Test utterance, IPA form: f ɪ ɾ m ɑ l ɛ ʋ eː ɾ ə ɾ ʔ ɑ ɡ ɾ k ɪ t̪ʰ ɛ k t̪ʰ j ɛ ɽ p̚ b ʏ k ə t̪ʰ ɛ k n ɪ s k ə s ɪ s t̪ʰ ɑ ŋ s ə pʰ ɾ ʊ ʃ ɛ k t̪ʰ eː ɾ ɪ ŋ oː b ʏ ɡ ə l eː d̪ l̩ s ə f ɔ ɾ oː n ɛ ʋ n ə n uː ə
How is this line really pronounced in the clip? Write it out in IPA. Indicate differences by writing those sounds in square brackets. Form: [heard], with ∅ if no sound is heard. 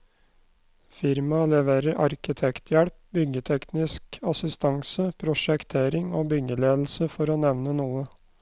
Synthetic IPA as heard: f ɪ ɾ m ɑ l ɛ ʋ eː ɾ ə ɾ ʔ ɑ [∅] ɾ k ɪ t̪ʰ ɛ k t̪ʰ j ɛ ɽ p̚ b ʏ [ɡ] ə t̪ʰ ɛ k n ɪ s k [ɑ] s ɪ s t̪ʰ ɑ ŋ s ə pʰ ɾ ʊ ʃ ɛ k t̪ʰ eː ɾ ɪ ŋ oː b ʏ ɡ ə l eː d̪ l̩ s ə f ɔ ɾ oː n ɛ ʋ n ə n uː ə

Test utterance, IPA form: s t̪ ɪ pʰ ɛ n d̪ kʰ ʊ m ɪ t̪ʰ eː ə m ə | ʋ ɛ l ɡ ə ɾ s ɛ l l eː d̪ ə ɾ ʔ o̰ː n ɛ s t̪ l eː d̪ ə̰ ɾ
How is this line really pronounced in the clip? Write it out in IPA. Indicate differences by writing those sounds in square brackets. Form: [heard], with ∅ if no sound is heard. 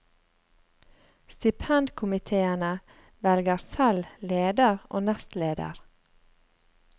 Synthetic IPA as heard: s t̪ ɪ pʰ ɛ n d̪ kʰ ʊ m ɪ t̪ʰ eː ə [n] ə | ʋ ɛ l ɡ ə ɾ s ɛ l l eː d̪ ə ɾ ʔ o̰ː n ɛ s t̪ l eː d̪ ə̰ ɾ

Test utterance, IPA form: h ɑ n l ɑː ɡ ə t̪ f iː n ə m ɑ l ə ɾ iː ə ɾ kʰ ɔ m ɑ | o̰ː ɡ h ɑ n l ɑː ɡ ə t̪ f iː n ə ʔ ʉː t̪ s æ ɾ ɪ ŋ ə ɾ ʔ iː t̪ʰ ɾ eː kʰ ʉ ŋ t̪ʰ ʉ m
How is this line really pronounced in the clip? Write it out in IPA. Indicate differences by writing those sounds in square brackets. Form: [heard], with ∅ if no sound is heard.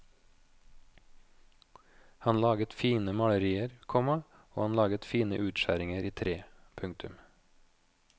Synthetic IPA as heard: h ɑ n l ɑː ɡ ə t̪ f iː n ə m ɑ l ə ɾ iː ə ɾ kʰ ɔ m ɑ | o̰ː [∅] h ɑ n l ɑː ɡ ə t̪ f iː n ə ʔ ʉː t̪ [ʃ] æ ɾ ɪ ŋ ə ɾ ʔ iː t̪ʰ ɾ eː [pʰ] ʉ ŋ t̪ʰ ʉ m

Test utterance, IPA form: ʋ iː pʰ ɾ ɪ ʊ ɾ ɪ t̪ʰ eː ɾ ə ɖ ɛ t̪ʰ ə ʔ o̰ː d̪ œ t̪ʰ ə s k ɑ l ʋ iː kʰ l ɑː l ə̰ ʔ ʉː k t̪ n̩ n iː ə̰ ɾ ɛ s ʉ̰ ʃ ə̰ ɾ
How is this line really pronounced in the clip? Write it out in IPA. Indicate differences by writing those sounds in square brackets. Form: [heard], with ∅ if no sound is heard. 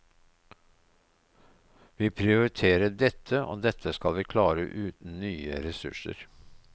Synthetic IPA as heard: ʋ iː pʰ ɾ ɪ ʊ ɾ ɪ t̪ʰ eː ɾ ə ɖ ɛ t̪ʰ ə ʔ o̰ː d̪ [ɛ] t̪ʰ ə s k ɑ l ʋ iː kʰ l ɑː [ɾ] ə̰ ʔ ʉː [∅] t̪ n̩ n [yː] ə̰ ɾ ɛ s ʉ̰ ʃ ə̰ ɾ

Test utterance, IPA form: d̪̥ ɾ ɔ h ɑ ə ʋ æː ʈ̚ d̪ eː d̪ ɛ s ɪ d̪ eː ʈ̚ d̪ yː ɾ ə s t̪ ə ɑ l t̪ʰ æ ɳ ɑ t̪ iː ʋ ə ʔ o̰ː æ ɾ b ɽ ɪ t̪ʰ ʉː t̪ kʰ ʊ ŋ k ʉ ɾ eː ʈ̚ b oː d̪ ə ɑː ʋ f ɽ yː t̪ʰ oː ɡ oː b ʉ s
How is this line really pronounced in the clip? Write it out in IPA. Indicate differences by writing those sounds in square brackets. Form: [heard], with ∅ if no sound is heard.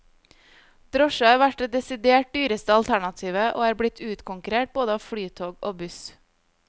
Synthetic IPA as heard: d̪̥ ɾ ɔ [ʃ] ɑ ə ʋ [æ] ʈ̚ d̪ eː d̪ ɛ s ɪ d̪ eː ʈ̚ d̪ yː ɾ ə s t̪ ə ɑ l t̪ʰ æ ɳ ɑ [t̪ʰ] iː ʋ ə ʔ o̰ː [æː] ɾ b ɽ ɪ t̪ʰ ʉː t̪ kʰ ʊ ŋ k ʉ ɾ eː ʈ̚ b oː d̪ ə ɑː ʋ f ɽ yː t̪ʰ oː ɡ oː b ʉ s

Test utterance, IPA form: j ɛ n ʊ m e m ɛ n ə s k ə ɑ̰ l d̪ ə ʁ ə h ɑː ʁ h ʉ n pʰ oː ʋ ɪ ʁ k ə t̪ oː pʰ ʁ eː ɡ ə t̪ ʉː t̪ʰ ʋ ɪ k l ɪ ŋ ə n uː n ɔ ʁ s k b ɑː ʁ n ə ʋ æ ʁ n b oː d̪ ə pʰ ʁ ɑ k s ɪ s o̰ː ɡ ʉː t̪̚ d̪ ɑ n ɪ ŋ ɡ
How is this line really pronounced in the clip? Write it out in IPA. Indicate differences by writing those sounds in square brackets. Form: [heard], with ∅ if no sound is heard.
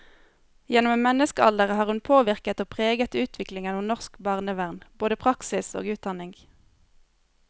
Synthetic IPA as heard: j ɛ n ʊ m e m ɛ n ə s k ə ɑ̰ l d̪ ə ʁ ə h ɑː ʁ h ʉ n pʰ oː ʋ ɪ ʁ k ə t̪ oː pʰ ʁ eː ɡ ə t̪ ʉː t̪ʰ ʋ ɪ k l ɪ ŋ ə n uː n ɔ ʁ s k b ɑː ʁ n ə ʋ æ ʁ n b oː d̪ ə pʰ ʁ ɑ k s ɪ s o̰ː ɡ ʉː t̪̚ d̪ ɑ n ɪ ŋ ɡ

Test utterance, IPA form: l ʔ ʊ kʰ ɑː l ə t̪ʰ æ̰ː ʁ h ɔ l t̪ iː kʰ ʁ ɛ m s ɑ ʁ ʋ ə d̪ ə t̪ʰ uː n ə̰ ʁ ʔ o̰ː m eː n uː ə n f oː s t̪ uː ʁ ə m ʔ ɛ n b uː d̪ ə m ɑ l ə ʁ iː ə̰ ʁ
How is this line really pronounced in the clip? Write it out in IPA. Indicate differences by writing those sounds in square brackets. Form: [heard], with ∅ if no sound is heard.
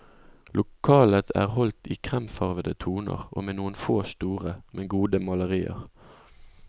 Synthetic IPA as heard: l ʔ ʊ kʰ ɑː l ə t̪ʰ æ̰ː ʁ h ɔ l t̪ iː kʰ ʁ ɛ m [f] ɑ ʁ ʋ ə d̪ ə t̪ʰ uː n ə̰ ʁ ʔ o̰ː m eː n uː ə n f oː s t̪ uː ʁ ə m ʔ ɛ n [ɡ] uː d̪ ə m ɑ l ə ʁ iː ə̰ ʁ

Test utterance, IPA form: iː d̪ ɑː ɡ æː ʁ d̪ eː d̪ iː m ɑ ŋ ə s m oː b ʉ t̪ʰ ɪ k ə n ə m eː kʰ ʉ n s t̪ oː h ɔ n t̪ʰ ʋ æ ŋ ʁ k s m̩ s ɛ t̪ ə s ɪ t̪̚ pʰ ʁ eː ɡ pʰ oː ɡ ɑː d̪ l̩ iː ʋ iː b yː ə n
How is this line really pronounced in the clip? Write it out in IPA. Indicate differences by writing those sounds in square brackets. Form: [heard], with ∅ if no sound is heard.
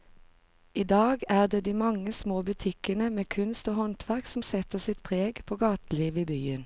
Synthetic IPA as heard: iː d̪ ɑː ɡ æː ʁ d̪ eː d̪ iː m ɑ ŋ ə s m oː b ʉ t̪ʰ ɪ k ə n ə m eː kʰ ʉ n s t̪ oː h ɔ n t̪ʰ ʋ æ [∅] ʁ k s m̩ s ɛ t̪ ə s ɪ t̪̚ pʰ ʁ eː ɡ pʰ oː ɡ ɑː [t̪] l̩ iː ʋ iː b yː ə n

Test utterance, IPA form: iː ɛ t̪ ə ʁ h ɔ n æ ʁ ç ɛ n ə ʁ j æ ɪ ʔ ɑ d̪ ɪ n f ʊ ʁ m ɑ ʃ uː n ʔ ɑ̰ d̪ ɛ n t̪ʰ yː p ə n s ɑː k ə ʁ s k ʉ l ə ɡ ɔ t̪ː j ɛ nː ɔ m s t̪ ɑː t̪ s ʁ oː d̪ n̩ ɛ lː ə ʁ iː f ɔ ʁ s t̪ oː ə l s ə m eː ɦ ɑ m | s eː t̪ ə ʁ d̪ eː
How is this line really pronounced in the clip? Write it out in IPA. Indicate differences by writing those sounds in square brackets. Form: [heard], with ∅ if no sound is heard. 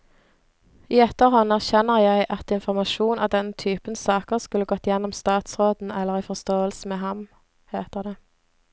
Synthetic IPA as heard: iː ɛ t̪ ə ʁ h ɔ n æ ʁ ç ɛ n ə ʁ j æ ɪ ʔ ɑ [t̪] ɪ n f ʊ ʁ m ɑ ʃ uː n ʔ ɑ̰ d̪ ɛ n t̪ʰ yː p ə n s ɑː k ə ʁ s k ʉ l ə ɡ ɔ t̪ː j ɛ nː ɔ m s t̪ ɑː t̪ s ʁ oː d̪ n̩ ɛ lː ə ʁ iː f ɔ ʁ s t̪ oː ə l s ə m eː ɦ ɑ m | [h] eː t̪ ə ʁ d̪ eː

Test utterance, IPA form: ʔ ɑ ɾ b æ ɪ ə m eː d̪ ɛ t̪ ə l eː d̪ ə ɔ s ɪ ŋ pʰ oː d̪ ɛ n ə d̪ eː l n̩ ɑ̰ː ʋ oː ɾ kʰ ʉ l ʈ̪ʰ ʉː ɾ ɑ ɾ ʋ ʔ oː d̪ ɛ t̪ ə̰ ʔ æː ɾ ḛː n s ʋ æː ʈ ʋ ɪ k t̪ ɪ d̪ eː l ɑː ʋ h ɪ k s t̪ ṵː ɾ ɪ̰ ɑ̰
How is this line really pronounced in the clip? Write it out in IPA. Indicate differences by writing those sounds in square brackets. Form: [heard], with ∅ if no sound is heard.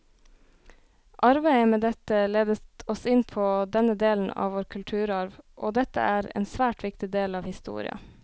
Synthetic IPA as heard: ʔ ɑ ɾ b æ ɪ ə m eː d̪ ɛ t̪ ə l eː d̪ ə ɔ s ɪ [n] pʰ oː d̪ ɛ n ə d̪ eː l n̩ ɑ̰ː ʋ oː ɾ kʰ ʉ l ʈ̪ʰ ʉː ɾ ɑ ɾ ʋ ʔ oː d̪ ɛ t̪ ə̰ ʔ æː ɾ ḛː n s ʋ æː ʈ ʋ ɪ k t̪ ɪ d̪ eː l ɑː ʋ h ɪ [∅] s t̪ ṵː ɾ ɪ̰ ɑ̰

